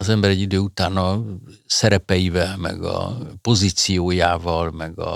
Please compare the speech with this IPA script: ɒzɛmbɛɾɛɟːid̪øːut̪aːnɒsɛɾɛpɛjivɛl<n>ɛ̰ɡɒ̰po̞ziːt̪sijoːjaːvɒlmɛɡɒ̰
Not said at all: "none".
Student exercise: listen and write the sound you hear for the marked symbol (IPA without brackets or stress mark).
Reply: m